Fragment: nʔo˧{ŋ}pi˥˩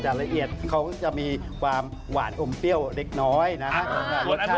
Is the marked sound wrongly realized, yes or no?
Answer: yes